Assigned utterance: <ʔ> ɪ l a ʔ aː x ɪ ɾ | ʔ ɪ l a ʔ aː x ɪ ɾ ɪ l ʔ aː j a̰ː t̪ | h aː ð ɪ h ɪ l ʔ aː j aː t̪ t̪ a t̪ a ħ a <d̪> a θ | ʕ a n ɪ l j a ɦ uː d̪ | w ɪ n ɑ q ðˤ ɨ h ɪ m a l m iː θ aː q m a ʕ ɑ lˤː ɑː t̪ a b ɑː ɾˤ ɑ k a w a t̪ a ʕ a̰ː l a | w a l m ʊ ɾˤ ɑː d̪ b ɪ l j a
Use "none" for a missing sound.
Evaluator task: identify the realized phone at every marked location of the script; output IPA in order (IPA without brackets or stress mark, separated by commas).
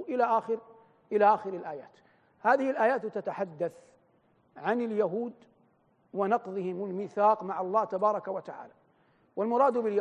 ʔ, d̪ː